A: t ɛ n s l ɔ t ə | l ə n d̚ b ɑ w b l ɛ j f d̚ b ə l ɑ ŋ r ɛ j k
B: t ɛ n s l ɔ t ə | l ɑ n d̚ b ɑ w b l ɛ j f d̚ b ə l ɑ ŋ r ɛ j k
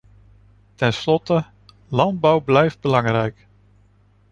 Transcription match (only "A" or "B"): B